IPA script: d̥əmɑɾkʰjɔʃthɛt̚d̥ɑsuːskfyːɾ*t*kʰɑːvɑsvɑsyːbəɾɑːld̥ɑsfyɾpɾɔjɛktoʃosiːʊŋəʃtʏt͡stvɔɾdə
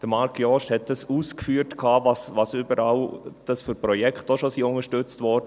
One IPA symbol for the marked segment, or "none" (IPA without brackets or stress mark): t